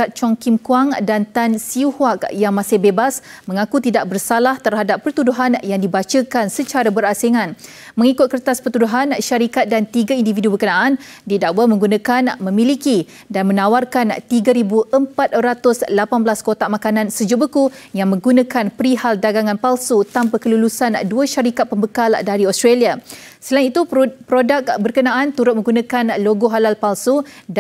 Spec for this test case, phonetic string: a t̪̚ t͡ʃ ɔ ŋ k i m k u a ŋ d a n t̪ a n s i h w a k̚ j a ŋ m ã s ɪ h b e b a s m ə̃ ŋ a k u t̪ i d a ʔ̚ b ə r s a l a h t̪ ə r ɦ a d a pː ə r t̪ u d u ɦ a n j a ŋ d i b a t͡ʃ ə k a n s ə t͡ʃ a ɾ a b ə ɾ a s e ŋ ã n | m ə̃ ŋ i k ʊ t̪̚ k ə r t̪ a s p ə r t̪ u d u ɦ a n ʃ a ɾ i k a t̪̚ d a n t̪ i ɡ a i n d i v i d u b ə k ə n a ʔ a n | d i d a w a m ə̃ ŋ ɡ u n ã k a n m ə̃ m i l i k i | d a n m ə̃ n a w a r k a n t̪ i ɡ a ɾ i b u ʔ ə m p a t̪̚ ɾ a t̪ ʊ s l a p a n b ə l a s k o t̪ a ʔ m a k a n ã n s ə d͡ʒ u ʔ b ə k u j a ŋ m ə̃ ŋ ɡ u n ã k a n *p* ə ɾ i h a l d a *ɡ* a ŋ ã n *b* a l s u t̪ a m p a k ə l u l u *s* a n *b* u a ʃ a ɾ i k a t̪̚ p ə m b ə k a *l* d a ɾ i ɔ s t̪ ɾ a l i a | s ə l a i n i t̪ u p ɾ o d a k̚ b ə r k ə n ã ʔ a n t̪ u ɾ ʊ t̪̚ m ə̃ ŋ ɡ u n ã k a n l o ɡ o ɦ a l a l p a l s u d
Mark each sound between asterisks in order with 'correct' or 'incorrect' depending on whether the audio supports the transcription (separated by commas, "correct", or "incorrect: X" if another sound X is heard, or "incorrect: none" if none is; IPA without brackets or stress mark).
correct, correct, incorrect: p, correct, incorrect: d, correct